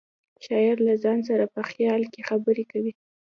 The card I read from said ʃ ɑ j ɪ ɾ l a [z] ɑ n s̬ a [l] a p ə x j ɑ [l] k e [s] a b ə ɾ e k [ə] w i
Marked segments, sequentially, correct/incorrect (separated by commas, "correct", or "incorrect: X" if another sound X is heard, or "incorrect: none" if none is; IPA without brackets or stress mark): correct, incorrect: ɾ, correct, incorrect: x, incorrect: a